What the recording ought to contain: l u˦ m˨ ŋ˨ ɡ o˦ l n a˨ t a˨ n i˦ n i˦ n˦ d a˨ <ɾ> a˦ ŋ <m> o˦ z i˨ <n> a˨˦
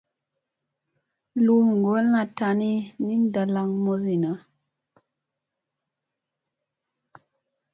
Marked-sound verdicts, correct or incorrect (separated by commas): incorrect, correct, correct